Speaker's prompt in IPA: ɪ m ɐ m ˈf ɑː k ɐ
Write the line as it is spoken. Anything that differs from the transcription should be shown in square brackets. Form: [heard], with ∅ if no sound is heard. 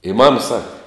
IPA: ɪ m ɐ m [ˈs] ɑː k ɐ

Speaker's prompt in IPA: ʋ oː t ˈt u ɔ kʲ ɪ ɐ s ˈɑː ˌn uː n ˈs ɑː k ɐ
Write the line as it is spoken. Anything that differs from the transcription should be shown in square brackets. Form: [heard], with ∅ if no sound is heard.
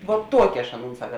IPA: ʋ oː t ˈt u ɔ kʲ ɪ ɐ [ʃ] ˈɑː ˌn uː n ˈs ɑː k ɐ

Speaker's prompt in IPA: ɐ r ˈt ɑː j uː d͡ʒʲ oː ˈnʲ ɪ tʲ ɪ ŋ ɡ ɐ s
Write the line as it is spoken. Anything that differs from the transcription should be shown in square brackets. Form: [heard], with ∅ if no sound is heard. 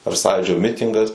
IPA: ɐ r [ˈs] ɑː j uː d͡ʒʲ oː [ˈmʲ] ɪ tʲ ɪ ŋ ɡ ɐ s

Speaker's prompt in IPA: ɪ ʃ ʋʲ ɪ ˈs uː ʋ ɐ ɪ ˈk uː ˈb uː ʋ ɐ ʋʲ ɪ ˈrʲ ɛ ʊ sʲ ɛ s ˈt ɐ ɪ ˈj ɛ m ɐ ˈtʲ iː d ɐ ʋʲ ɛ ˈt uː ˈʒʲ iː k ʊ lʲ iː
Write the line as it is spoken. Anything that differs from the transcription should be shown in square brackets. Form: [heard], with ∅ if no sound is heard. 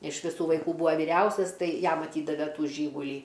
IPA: ɪ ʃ ʋʲ ɪ ˈs uː ʋ ɐ ɪ ˈk uː ˈb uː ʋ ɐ ʋʲ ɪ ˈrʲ ɛ ʊ sʲ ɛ s ˈt ɐ ɪ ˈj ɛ m ɐ ˈtʲ iː d ɐ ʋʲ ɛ ˈt uː ˈʒʲ iː [ɡ] ʊ lʲ iː

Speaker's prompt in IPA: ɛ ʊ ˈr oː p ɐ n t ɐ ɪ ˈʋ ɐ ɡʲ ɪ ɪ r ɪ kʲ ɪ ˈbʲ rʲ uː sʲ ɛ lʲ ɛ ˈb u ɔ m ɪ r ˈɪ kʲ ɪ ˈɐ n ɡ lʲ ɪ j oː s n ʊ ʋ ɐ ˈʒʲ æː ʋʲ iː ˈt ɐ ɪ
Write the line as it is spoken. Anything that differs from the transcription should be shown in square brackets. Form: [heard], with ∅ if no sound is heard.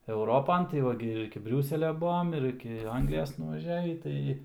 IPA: ɛ ʊ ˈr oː p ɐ n t ɐ ɪ ˈʋ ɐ ɡʲ ɪ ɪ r ɪ kʲ ɪ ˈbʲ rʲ uː sʲ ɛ lʲ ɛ ˈb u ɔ m ɪ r ˈɪ kʲ ɪ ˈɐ [ŋ] ɡ lʲ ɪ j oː s n ʊ ʋ ɐ ˈʒʲ æː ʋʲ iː ˈt ɐ ɪ

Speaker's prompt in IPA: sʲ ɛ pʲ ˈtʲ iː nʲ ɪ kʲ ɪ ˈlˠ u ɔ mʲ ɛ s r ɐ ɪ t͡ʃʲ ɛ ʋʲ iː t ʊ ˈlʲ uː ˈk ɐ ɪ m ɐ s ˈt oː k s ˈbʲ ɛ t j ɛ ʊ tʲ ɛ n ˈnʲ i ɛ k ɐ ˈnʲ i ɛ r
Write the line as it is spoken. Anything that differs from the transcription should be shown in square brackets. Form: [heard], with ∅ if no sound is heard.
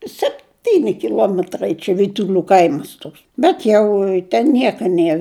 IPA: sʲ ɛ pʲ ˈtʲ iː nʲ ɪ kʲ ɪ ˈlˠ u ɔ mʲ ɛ [t] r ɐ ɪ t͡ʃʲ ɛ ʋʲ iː t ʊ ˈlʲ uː ˈk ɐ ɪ m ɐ s ˈt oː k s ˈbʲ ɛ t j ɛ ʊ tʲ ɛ n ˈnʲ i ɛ k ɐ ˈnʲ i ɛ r

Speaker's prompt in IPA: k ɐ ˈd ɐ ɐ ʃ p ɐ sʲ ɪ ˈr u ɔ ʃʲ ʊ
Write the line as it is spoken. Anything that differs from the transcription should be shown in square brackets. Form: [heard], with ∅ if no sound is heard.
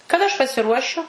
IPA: k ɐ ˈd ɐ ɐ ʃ p ɐ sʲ ɪ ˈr u ɔ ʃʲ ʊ

